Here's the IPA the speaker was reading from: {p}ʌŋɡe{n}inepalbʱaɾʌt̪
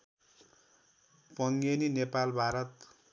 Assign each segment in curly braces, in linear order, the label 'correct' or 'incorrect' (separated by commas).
correct, correct